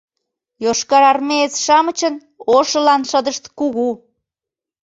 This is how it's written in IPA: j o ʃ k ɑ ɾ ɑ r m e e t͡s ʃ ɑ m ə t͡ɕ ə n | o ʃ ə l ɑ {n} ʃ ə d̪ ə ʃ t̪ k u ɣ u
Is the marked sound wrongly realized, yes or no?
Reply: no